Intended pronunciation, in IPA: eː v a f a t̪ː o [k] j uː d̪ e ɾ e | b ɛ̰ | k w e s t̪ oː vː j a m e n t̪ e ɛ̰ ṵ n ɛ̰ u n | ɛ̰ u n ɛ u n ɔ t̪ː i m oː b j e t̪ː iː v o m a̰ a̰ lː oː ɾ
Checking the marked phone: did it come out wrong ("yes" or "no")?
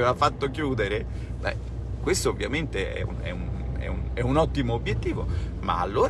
no